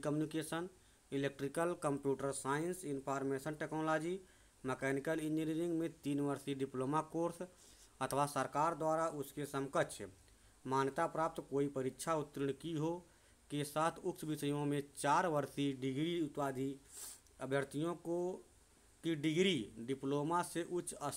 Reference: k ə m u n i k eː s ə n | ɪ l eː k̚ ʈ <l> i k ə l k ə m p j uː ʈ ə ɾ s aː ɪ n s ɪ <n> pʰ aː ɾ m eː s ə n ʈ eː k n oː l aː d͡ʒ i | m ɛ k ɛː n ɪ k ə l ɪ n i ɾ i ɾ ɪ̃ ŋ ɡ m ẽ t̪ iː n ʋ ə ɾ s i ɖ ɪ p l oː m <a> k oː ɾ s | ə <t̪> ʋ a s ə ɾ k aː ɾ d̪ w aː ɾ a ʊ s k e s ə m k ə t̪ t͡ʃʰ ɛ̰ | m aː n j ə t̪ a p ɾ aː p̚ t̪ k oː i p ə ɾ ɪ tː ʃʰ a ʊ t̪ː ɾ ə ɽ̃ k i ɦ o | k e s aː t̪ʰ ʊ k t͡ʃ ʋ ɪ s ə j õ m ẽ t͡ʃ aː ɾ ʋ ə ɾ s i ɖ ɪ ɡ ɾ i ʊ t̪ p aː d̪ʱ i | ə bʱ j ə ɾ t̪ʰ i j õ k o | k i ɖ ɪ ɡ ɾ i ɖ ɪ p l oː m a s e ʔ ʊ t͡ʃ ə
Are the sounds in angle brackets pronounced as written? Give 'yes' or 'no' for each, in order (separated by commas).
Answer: no, yes, yes, no